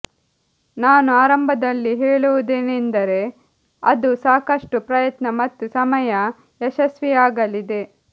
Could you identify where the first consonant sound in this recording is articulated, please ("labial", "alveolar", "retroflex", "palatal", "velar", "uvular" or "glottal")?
alveolar